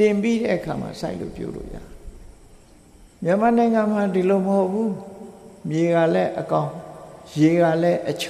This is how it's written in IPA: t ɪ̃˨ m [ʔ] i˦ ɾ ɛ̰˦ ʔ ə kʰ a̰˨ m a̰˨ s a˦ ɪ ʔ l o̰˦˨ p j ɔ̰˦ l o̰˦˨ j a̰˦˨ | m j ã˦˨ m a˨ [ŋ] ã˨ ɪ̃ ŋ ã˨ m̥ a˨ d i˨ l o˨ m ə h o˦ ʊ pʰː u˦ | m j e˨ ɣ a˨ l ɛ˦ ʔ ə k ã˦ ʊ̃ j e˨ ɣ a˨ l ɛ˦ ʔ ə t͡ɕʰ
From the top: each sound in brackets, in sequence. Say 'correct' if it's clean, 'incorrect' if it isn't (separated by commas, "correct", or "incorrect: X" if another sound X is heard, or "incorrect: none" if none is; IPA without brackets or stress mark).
incorrect: p, incorrect: n